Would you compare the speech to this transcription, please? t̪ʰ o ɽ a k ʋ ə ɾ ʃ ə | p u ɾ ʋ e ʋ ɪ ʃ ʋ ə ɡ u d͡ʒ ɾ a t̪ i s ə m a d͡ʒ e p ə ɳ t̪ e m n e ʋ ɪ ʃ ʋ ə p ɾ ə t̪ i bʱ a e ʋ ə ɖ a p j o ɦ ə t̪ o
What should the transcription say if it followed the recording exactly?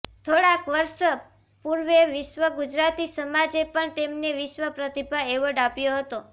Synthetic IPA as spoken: t̪ʰ o ɽ a k ʋ ə ɾ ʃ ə | p u ɾ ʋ e ʋ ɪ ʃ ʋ ə ɡ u d͡ʒ ɾ a t̪ i s ə m a d͡ʒ e p ə ɳ t̪ e m n e ʋ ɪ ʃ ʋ ə p ɾ ə t̪ i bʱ a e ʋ ə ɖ a p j o ɦ ə t̪ o